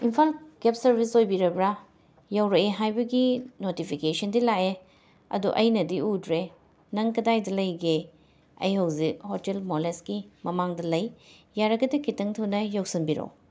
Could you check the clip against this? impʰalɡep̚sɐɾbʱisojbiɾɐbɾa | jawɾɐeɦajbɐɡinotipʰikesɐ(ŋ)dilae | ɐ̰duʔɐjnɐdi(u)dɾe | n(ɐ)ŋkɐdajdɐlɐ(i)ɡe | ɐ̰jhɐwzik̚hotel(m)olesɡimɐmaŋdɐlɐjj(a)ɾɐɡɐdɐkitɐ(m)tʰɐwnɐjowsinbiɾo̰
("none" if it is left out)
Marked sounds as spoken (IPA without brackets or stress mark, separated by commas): n, u, ɐ, j, m, a, ŋ